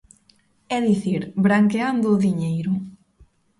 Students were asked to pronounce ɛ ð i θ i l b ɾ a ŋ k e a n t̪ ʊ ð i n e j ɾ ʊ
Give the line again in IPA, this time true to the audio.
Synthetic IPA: ɛ ð i θ i ɾ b ɾ a ŋ k e a n d̪ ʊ ð i ɲ e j ɾ ʊ